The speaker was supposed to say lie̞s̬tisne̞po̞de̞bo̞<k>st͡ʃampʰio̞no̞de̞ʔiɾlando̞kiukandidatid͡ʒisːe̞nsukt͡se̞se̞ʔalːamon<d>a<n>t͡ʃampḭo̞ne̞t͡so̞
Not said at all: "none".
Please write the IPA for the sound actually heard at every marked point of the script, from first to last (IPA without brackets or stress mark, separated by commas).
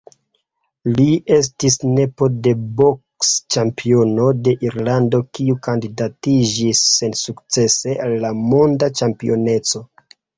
k, d, none